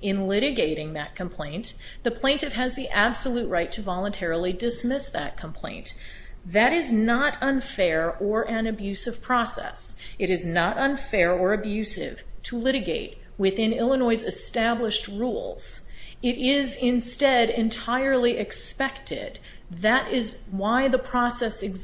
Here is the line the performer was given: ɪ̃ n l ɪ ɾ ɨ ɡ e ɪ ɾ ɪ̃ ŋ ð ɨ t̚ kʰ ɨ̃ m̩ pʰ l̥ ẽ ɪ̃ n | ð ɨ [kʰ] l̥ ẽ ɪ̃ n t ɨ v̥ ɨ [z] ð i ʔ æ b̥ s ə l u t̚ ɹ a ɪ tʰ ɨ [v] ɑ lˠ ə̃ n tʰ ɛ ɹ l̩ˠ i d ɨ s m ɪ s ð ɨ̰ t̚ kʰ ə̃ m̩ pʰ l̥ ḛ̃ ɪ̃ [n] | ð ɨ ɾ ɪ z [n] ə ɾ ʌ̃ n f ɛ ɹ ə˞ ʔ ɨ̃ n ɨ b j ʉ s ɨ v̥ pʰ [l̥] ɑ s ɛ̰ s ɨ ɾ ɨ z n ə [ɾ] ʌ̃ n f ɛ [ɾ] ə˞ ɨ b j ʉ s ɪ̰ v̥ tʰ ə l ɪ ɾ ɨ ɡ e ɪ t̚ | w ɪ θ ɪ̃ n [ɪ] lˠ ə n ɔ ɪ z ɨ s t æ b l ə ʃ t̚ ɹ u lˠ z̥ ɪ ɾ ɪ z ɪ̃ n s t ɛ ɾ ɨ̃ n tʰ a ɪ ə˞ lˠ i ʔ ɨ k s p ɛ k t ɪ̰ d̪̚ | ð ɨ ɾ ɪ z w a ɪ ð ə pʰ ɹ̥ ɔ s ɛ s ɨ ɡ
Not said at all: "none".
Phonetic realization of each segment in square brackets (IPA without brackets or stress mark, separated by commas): pʰ, z, v, n, n, ɹ̥, ɾ, ɹ, ɪ